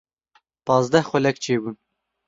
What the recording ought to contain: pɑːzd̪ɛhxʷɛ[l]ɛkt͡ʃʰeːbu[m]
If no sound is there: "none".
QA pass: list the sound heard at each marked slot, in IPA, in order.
l, n

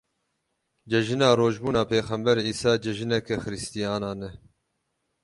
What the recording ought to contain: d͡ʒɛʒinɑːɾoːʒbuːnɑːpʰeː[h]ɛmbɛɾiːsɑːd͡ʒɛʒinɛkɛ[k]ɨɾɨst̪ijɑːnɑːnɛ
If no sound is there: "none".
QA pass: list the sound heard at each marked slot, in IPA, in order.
x, x

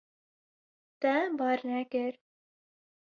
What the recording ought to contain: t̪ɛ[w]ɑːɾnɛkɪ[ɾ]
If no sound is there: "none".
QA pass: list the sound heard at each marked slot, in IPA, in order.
b, ɾ

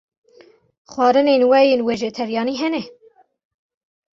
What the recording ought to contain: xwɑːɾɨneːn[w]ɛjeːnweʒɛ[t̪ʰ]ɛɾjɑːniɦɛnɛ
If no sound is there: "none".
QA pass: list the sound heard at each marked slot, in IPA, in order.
w, t̪ʰ

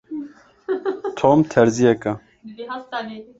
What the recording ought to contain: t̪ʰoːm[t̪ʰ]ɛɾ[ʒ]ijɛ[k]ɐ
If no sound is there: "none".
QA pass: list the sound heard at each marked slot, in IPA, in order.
t̪ʰ, z, k

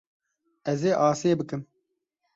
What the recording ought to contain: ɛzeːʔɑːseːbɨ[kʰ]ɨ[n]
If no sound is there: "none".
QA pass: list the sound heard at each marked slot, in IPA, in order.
k, m

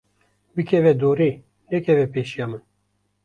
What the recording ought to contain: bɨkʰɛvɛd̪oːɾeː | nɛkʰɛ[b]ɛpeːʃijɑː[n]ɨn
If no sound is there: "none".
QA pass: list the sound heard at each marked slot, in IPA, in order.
v, m

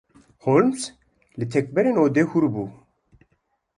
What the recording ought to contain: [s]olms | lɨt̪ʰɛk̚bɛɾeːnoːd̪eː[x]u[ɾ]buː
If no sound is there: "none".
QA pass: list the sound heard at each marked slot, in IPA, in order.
h, h, ɾ

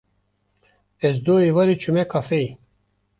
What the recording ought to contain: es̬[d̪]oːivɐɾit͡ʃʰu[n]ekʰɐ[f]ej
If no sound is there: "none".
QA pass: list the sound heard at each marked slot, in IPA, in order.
d̪, m, f

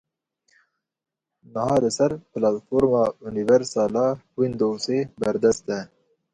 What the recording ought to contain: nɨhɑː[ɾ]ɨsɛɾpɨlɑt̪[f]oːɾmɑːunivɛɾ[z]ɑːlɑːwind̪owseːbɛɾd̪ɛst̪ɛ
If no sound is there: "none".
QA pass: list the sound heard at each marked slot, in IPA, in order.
l, f, s

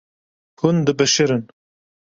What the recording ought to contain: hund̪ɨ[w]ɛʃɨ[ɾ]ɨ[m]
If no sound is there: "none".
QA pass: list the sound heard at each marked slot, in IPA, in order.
b, ɾ, n

